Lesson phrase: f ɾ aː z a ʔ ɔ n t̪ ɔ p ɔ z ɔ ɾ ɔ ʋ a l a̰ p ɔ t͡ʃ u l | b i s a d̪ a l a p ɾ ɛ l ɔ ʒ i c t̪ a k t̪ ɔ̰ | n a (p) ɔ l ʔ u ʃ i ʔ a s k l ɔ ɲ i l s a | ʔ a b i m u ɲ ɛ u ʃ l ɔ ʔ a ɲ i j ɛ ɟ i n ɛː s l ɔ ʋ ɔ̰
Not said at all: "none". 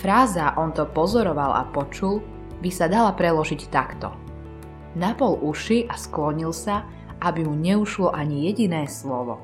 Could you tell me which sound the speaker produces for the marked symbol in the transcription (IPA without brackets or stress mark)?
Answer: p